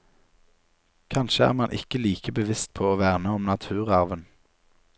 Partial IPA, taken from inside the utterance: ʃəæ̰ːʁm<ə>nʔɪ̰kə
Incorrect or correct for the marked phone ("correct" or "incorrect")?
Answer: incorrect